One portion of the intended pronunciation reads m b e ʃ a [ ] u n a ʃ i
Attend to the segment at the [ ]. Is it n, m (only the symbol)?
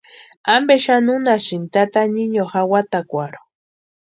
n